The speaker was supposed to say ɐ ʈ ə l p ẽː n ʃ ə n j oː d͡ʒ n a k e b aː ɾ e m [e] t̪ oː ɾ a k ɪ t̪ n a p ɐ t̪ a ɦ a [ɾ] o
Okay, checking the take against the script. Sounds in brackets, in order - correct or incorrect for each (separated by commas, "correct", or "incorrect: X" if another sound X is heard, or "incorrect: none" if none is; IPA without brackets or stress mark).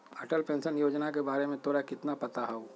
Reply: incorrect: ẽ, incorrect: none